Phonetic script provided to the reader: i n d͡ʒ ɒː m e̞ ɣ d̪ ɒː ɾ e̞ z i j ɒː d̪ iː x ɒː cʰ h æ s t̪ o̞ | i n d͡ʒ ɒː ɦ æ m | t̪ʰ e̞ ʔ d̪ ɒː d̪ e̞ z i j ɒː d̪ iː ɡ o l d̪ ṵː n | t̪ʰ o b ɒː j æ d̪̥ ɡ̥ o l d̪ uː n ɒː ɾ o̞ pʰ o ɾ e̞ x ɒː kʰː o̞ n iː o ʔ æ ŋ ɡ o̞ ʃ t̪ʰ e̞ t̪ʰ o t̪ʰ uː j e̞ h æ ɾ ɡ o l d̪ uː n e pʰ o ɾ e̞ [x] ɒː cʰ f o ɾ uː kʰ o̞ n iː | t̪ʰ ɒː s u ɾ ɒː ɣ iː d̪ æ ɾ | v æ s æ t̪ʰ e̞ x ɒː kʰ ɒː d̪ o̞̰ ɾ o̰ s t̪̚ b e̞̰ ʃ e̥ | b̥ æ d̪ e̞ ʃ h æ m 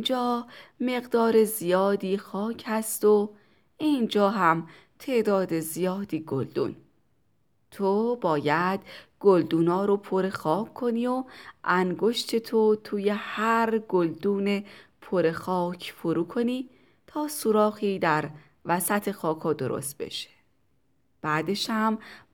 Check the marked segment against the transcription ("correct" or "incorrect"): correct